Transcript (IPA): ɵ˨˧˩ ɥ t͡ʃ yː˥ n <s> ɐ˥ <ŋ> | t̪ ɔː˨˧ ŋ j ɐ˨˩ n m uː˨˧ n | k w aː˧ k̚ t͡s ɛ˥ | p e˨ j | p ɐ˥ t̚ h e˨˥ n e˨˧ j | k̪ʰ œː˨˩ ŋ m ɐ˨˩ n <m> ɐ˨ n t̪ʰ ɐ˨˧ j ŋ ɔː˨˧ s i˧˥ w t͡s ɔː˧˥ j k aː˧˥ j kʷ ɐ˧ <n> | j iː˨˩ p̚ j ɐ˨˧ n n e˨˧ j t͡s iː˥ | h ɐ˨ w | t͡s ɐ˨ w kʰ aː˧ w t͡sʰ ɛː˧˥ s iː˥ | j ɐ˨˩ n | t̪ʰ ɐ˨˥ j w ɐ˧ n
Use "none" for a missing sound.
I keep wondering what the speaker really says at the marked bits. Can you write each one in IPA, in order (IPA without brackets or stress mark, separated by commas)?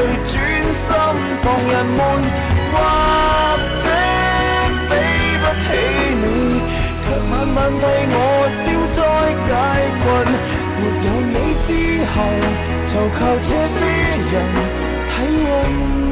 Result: s, m, m, n